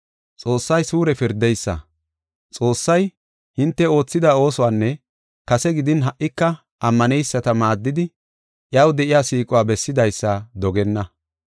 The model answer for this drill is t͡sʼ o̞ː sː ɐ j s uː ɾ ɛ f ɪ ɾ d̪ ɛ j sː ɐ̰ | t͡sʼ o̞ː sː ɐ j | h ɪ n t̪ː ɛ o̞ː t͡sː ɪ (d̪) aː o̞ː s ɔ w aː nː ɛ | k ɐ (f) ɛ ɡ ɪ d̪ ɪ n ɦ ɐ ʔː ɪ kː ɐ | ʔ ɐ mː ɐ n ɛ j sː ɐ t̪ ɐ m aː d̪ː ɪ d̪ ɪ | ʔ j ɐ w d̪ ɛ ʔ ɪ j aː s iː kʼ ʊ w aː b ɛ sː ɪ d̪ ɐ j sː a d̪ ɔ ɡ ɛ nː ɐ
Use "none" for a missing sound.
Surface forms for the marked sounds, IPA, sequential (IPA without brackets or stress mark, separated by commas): d̪, s